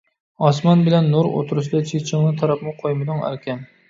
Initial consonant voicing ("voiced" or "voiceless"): voiceless